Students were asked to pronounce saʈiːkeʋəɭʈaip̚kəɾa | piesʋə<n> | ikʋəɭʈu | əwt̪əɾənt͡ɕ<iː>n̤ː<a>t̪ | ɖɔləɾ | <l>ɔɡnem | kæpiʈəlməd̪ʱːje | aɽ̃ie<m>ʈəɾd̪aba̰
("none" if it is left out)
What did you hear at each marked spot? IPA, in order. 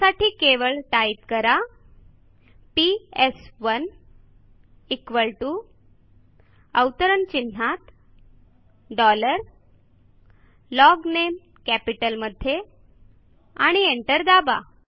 n, i, a, l, ɳ

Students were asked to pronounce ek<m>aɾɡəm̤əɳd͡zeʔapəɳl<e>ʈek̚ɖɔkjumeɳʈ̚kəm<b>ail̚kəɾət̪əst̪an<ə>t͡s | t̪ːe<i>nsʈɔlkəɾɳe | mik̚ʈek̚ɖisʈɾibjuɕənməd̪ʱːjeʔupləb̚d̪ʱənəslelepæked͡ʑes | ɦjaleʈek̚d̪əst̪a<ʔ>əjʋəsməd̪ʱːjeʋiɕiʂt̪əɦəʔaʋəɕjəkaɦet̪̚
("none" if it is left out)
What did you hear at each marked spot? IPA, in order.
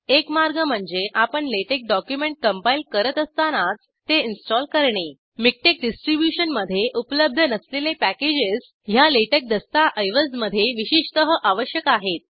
m, e, p, a, i, ʔ

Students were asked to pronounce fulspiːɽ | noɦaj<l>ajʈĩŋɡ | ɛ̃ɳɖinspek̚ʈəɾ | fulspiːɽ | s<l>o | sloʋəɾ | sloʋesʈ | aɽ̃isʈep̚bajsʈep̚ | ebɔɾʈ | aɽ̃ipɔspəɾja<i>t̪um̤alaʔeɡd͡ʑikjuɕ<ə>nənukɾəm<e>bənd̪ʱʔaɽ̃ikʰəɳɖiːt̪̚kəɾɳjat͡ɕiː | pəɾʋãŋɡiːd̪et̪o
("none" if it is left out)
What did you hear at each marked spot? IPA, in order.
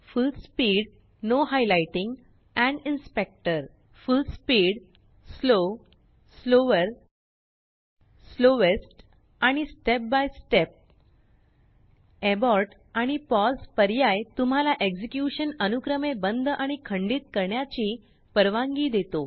l, l, j, ə, e

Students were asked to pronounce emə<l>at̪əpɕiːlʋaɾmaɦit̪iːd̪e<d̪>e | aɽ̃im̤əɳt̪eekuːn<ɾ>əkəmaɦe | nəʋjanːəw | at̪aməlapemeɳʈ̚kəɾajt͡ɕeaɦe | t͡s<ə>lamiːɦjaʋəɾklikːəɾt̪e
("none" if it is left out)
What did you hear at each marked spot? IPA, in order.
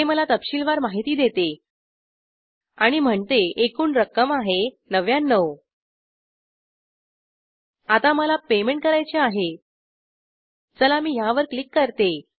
l, t̪, ɾ, ə

